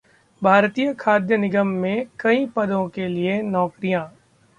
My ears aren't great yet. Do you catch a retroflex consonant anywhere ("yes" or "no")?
no